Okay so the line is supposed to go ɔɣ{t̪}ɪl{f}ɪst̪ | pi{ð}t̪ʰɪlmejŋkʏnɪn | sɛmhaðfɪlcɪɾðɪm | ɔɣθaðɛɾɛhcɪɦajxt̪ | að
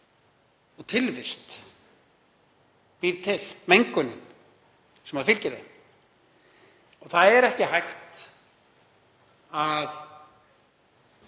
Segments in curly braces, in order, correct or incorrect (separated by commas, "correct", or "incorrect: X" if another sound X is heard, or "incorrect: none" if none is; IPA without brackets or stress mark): incorrect: t̪ʰ, incorrect: v, correct